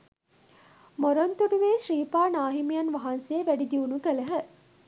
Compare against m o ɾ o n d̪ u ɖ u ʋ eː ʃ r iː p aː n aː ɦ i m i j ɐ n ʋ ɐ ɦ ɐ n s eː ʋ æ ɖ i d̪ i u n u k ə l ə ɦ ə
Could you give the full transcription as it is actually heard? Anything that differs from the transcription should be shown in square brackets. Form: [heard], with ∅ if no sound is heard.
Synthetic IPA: m o ɾ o n [t̪] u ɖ u ʋ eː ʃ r iː p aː n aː ɦ i m i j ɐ n ʋ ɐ ɦ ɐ n s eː ʋ æ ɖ i d̪ i u n u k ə l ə ɦ ə